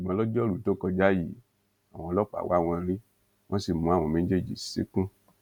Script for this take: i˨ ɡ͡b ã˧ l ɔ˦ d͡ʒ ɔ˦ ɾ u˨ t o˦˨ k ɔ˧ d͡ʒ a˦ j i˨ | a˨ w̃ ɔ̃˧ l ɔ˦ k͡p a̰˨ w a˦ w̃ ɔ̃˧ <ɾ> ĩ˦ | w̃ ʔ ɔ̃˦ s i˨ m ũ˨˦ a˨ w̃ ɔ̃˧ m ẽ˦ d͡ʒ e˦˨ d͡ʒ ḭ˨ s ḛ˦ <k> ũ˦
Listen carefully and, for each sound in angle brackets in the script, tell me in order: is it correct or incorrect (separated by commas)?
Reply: correct, correct